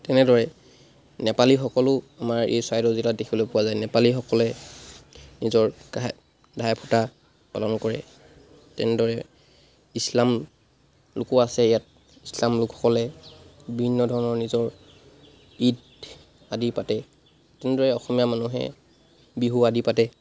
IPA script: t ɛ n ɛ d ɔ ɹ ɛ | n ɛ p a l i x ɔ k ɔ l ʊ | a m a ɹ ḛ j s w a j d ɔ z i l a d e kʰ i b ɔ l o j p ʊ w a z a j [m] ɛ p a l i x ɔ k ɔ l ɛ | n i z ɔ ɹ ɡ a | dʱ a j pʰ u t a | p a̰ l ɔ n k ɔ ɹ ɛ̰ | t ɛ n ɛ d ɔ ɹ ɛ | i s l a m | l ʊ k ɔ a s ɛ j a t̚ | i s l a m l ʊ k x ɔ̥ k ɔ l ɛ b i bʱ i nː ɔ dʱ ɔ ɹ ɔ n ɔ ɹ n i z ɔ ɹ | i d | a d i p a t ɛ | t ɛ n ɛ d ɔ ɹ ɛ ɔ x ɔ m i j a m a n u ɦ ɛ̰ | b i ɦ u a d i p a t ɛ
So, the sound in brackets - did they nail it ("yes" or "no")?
no